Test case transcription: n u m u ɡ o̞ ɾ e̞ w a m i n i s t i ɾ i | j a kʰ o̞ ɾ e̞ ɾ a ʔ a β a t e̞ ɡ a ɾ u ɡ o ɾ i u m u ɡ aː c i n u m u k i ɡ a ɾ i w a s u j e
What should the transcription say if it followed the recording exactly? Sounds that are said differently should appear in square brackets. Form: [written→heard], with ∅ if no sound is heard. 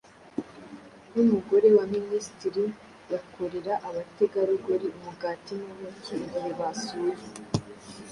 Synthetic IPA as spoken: n u m u ɡ o̞ ɾ e̞ w a m i n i s t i ɾ i | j a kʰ o̞ ɾ e̞ ɾ a ʔ a β a t e̞ ɡ a ɾ u ɡ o ɾ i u m u ɡ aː [c→t] i n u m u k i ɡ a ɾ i [w→β] a s u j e